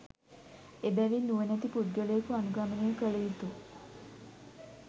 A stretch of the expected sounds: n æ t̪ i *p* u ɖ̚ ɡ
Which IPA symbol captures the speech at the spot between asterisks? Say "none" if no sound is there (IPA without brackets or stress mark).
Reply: p